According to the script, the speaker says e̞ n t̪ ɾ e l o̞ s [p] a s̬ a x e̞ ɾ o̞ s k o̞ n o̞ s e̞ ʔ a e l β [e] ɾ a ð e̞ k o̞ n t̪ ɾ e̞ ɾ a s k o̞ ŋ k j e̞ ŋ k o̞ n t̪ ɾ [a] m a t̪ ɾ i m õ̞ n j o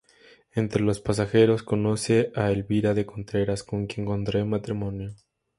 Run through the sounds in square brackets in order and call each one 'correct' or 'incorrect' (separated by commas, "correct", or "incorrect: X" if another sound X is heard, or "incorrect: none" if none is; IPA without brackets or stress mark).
correct, incorrect: i, incorrect: e